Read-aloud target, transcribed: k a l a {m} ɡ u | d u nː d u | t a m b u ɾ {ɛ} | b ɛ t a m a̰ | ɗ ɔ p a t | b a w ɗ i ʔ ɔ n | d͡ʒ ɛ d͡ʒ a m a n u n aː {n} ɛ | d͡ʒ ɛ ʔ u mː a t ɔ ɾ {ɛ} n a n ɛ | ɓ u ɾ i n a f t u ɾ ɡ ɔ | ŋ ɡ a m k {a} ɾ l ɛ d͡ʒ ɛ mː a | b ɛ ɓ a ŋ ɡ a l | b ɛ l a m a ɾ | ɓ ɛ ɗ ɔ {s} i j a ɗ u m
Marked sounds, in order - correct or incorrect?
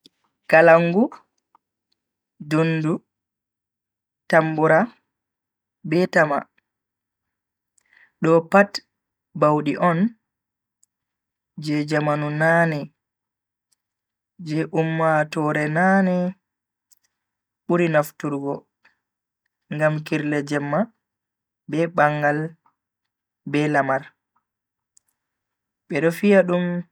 incorrect, incorrect, correct, correct, incorrect, incorrect

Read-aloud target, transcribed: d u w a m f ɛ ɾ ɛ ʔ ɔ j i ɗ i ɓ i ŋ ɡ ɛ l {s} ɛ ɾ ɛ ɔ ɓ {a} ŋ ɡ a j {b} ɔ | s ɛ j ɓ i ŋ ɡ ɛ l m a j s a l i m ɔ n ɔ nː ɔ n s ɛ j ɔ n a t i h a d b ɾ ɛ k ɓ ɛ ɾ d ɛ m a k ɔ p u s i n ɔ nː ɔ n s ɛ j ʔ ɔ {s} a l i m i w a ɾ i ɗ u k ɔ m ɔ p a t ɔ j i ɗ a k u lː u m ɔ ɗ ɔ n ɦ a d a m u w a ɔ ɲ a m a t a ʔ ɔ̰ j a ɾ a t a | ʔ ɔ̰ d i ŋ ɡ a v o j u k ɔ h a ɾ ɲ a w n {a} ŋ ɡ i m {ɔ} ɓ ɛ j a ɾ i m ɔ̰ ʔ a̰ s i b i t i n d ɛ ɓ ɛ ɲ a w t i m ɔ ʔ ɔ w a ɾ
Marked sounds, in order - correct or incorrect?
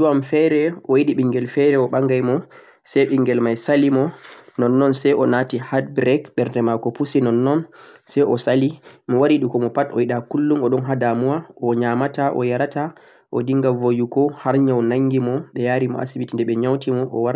incorrect, correct, incorrect, correct, correct, correct

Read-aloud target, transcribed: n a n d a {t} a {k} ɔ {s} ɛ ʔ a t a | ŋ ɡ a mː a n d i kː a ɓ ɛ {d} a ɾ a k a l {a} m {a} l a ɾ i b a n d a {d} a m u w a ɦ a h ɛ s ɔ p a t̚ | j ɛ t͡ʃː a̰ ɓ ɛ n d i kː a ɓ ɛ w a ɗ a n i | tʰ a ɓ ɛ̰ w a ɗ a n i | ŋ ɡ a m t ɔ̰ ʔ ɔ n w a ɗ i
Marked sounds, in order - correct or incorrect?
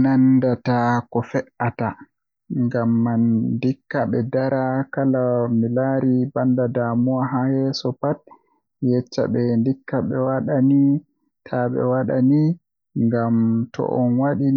correct, correct, incorrect, correct, correct, incorrect, correct

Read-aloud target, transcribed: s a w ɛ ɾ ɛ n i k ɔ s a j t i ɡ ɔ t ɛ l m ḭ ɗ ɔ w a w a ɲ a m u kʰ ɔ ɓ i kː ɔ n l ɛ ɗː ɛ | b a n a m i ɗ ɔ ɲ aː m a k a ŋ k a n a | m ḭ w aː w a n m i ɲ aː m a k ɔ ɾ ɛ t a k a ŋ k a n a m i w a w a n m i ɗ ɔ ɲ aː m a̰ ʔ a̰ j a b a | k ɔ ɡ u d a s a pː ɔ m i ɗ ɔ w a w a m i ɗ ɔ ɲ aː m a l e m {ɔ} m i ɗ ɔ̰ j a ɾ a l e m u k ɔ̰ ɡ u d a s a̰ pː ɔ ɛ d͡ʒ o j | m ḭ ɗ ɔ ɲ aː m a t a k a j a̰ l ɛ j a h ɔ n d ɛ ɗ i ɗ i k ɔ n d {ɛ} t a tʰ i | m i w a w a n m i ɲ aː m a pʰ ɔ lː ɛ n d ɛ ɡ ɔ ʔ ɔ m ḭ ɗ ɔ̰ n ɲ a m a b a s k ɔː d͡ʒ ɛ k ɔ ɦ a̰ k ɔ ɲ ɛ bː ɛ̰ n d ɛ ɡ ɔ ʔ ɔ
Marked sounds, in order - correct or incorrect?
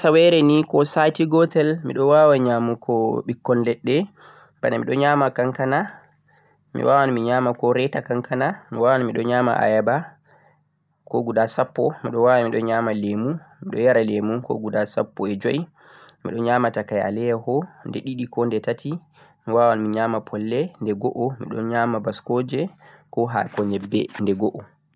incorrect, correct

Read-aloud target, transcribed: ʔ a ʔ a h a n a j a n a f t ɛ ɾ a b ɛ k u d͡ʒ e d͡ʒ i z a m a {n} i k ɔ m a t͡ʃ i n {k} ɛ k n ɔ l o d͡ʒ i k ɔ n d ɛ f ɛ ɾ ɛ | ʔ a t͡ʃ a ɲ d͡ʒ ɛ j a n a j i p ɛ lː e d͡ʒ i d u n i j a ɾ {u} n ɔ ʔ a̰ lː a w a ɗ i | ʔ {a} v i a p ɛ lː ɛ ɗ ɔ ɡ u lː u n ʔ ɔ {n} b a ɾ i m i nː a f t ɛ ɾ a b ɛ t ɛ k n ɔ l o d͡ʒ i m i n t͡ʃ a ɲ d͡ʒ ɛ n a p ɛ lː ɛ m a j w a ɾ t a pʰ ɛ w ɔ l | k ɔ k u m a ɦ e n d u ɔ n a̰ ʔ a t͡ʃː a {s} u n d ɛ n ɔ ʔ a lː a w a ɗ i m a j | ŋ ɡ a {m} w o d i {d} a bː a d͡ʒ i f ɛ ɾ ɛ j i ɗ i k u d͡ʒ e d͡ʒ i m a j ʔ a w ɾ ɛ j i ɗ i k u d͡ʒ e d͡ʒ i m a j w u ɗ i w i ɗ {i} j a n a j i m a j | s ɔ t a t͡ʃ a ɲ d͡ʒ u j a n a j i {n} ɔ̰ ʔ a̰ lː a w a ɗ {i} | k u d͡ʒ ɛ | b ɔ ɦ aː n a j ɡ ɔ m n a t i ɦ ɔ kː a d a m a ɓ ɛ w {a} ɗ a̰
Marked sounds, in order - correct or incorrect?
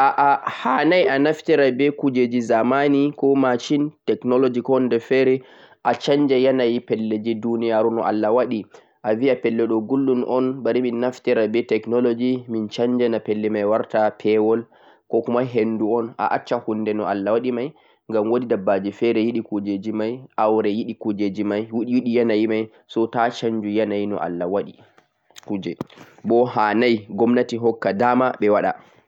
correct, incorrect, correct, correct, correct, incorrect, correct, correct, correct, correct, correct, correct

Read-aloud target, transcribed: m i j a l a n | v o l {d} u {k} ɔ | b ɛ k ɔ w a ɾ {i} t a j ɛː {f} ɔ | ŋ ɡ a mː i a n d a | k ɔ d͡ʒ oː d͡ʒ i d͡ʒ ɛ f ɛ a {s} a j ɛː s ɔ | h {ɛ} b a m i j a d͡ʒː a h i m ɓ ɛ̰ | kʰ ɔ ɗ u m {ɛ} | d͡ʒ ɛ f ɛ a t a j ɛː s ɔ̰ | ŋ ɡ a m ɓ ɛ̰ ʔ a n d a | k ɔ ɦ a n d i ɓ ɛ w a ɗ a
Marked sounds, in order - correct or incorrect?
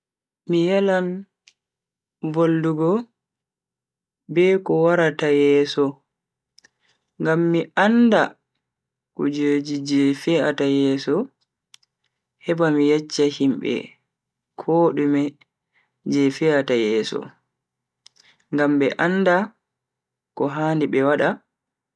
correct, incorrect, incorrect, incorrect, incorrect, correct, correct

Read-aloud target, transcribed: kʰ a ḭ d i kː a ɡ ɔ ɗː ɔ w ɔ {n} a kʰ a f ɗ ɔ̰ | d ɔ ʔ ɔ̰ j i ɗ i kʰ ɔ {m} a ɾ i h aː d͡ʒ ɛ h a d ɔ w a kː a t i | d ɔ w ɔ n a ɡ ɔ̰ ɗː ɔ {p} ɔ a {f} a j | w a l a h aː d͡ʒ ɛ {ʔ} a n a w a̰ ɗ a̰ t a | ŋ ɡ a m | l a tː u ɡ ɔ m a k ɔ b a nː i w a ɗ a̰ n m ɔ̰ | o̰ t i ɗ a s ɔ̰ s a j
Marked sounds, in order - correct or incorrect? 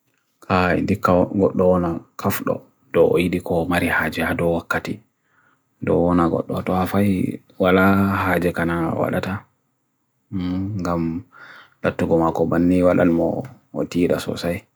correct, correct, incorrect, correct, incorrect

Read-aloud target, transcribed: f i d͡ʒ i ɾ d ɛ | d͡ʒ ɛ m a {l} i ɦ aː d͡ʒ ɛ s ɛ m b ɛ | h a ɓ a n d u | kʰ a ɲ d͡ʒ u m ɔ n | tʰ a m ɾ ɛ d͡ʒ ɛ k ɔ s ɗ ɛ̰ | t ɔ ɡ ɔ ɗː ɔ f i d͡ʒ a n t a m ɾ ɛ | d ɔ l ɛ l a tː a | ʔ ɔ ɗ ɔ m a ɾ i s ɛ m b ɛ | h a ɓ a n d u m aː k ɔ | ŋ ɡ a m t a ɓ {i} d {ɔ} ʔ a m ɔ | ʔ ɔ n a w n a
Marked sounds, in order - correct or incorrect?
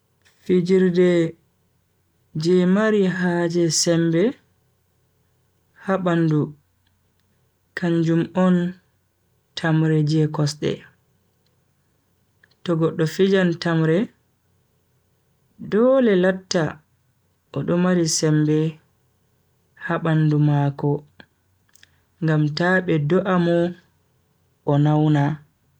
incorrect, incorrect, correct

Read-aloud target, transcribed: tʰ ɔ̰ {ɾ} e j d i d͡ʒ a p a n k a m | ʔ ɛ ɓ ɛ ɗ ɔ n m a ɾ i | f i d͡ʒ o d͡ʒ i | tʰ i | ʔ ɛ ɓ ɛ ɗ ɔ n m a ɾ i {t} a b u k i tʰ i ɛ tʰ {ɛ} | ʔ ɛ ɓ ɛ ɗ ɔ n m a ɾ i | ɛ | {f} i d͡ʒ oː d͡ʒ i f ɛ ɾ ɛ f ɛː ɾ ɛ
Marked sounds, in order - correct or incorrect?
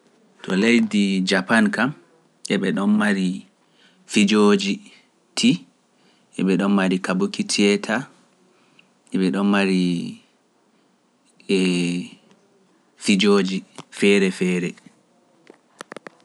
incorrect, incorrect, incorrect, correct

